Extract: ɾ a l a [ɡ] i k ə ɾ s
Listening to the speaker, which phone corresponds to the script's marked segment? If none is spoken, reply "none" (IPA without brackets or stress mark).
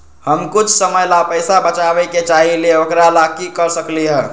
k